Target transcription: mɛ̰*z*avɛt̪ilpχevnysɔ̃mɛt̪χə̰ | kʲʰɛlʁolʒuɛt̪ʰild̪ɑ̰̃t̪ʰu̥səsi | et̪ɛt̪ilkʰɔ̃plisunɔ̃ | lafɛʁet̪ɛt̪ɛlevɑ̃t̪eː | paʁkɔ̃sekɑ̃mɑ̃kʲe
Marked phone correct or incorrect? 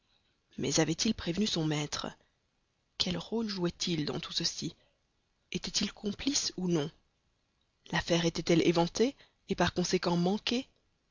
correct